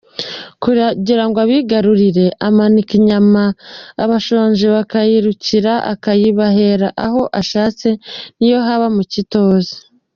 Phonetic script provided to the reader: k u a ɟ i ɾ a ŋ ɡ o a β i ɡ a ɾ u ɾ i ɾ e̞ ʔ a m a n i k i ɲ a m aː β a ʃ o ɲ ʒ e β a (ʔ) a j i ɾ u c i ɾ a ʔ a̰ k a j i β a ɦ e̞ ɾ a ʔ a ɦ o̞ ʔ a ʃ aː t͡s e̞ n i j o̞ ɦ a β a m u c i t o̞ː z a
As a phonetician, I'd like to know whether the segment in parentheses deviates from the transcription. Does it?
yes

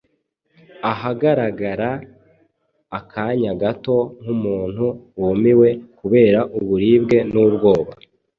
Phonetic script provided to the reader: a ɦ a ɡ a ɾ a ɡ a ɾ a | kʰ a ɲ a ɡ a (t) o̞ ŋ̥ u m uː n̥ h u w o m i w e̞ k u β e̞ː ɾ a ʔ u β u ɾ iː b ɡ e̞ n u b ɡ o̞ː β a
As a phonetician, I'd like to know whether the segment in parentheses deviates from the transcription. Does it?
no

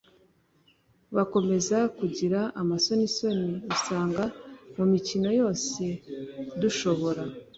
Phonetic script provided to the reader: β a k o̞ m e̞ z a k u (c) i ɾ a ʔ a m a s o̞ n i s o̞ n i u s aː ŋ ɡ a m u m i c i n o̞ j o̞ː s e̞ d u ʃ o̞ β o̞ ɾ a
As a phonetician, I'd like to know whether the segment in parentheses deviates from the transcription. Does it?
yes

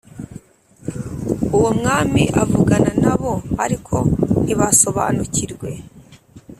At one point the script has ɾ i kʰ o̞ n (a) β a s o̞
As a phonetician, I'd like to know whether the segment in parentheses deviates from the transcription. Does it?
yes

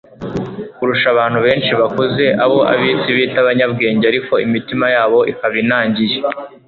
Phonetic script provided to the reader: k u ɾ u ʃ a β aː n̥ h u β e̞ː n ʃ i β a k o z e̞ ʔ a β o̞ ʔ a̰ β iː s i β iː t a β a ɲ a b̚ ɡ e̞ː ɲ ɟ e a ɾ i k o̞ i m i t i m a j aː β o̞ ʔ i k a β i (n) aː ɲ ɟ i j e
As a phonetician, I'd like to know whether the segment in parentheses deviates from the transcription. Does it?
no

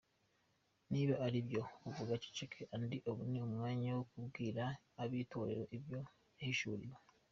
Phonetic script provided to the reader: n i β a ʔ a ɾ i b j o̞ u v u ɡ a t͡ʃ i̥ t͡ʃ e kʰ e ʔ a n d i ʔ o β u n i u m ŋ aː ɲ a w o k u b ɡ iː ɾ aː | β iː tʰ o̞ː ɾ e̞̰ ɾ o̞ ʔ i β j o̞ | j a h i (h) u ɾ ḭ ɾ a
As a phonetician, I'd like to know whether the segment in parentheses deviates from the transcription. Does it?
yes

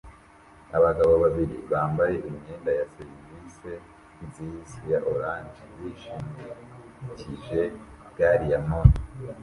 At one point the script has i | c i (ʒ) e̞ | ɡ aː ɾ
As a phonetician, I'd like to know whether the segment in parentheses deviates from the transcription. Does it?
no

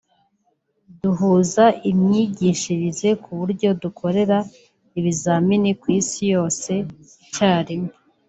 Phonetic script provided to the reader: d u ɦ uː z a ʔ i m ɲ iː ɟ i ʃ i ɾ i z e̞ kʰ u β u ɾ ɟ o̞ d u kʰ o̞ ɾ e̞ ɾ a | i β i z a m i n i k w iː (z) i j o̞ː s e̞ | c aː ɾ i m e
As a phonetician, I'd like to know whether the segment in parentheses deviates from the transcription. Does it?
yes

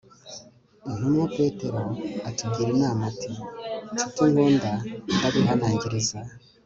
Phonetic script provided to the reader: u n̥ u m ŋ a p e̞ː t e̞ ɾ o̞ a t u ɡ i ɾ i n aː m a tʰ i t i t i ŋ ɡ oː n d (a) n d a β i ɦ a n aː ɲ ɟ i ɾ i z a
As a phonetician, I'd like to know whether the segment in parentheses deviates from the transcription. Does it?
no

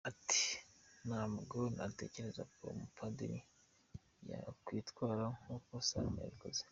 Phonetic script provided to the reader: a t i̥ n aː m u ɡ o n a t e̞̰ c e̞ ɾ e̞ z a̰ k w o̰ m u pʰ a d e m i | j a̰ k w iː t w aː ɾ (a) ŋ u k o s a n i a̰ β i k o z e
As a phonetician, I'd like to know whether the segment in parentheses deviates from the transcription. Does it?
no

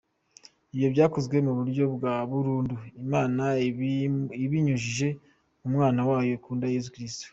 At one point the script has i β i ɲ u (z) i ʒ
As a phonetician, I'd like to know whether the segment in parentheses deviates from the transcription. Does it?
yes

